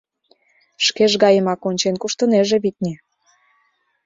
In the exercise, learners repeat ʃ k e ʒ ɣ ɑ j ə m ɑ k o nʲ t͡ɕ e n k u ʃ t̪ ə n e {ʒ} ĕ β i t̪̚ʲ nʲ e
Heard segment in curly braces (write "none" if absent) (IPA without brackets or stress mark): ʒ